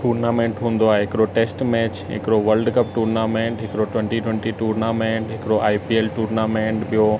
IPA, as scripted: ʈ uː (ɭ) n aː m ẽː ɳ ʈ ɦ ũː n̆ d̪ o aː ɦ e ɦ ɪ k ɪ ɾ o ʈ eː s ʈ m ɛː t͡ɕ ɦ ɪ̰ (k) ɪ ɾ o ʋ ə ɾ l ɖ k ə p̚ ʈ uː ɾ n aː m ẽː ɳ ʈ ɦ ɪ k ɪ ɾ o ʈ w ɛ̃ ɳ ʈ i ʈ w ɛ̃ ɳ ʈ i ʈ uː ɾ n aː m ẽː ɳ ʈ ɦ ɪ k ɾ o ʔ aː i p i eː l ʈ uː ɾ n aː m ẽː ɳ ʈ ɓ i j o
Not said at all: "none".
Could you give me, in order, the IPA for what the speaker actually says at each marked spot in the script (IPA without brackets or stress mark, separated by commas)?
ɾ, k